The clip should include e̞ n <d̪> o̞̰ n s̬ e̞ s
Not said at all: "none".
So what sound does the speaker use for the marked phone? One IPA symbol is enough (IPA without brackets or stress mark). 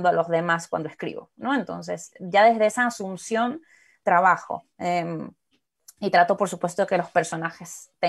t̪